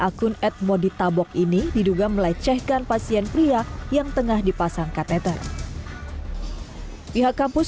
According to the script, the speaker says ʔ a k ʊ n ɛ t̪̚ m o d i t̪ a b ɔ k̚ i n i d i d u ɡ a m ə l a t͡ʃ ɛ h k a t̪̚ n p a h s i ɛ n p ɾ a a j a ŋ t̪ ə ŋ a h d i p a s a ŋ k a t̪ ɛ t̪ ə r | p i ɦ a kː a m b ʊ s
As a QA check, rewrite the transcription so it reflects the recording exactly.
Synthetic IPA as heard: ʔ a k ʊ n ɛ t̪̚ m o d i t̪ a b ɔ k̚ i n i d i d u ɡ a m ə l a t͡ʃ ɛ h k a n p a s i ɛ n p ɾ i a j a ŋ t̪ ə ŋ a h d i p a s a ŋ k a t̪ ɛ t̪ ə r | p i ɦ a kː a m p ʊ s